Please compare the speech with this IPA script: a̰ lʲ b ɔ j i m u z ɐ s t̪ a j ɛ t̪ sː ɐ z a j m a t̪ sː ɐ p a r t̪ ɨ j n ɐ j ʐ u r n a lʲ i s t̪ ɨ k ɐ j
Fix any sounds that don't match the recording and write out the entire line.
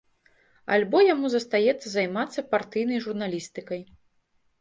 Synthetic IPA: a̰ lʲ b ɔ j a m u z ɐ s t̪ a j ɛ t̪ sː ɐ z a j m a t̪ sː ɐ p a r t̪ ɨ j n ɐ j ʐ u r n a lʲ i s t̪ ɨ k ɐ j